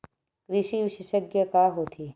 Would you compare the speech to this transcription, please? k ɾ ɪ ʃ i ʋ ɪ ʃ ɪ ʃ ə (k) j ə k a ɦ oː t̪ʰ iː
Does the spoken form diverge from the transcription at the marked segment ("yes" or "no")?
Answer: yes